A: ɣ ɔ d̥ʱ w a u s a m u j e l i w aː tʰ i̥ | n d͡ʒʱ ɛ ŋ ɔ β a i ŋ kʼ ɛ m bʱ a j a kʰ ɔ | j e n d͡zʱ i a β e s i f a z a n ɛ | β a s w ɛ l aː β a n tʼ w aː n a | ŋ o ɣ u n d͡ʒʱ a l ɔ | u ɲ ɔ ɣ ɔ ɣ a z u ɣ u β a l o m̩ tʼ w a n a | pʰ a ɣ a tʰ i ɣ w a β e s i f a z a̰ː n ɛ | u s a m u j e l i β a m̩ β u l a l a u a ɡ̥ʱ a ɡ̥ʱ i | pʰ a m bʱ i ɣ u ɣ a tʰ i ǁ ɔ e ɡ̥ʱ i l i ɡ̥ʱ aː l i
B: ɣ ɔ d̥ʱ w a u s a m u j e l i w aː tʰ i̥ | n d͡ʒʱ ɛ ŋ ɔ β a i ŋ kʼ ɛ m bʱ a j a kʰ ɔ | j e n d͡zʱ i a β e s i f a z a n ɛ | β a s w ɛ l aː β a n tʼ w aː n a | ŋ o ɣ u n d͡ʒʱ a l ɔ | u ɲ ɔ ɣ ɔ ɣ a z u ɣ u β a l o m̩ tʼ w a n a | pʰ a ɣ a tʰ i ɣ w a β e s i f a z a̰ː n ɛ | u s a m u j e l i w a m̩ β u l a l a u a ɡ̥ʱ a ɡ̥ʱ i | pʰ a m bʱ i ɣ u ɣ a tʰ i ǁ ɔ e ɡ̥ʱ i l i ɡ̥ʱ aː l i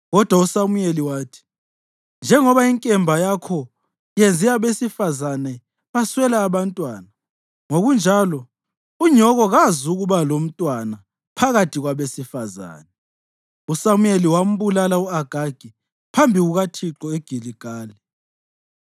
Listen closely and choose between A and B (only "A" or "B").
B